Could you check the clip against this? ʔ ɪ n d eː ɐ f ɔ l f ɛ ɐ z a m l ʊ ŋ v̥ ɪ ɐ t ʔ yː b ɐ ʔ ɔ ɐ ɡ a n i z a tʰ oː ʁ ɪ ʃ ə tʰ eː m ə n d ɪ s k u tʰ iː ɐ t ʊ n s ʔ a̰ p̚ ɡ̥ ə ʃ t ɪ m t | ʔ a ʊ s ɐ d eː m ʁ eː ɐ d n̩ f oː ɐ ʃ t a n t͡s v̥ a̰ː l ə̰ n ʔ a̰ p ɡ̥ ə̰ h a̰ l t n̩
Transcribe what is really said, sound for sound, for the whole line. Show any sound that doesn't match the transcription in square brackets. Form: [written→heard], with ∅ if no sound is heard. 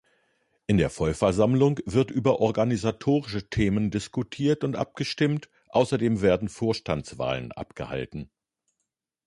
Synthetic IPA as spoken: ʔ ɪ n d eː ɐ f ɔ l f ɛ ɐ z a m l ʊ ŋ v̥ ɪ ɐ t ʔ yː b ɐ ʔ ɔ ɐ ɡ a n i z a tʰ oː ʁ ɪ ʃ ə tʰ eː m ə n d ɪ s k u tʰ iː ɐ t ʊ n [s→t] ʔ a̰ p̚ ɡ̥ ə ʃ t ɪ m t | ʔ a ʊ s ɐ d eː m [ʁ→v] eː ɐ d n̩ f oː ɐ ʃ t a n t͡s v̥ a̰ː l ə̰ n ʔ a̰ p ɡ̥ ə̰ h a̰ l t n̩